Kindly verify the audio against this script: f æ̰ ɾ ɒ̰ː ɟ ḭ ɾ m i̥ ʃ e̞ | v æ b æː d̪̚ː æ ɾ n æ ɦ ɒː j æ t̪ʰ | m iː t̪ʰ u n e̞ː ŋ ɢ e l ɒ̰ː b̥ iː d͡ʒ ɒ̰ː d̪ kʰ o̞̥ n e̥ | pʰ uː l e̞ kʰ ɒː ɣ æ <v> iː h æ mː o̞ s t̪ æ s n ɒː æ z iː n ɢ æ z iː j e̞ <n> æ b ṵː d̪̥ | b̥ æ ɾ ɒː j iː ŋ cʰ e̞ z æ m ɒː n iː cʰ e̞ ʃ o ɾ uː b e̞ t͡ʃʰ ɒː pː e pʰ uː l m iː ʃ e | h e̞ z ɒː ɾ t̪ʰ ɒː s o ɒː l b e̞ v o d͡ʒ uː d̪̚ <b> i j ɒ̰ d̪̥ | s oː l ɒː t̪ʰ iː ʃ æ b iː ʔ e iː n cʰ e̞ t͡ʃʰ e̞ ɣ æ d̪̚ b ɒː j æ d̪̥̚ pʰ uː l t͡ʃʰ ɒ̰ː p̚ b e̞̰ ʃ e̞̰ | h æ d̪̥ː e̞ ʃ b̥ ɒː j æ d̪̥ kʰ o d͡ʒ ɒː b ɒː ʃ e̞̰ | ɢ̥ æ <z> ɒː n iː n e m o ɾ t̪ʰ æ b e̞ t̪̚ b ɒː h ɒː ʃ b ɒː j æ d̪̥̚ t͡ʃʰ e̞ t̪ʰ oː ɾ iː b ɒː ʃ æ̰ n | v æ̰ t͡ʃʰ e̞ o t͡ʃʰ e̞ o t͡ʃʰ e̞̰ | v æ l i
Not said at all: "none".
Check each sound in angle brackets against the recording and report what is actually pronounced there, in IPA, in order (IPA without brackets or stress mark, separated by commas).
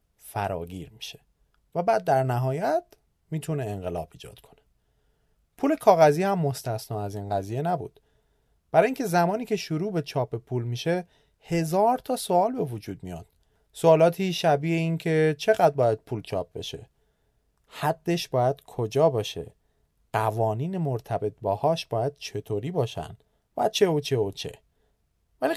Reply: z, n, m, v